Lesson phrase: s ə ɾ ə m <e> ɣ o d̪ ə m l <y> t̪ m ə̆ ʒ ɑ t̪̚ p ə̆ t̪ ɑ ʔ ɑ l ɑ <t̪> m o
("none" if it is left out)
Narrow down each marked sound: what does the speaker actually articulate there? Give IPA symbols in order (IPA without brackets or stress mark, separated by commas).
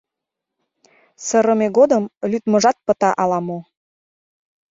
e, y, none